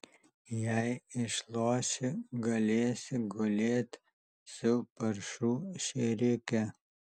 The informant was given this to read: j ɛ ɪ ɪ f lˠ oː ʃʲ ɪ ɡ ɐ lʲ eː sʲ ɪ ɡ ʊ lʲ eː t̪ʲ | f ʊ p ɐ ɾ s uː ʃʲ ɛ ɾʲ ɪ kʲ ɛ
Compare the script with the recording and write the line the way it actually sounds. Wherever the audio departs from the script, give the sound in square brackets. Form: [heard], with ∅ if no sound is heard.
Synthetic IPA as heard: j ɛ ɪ ɪ [ʃ] lˠ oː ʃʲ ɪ ɡ ɐ lʲ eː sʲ ɪ ɡ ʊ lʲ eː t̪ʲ | [s] ʊ p ɐ ɾ [ʃ] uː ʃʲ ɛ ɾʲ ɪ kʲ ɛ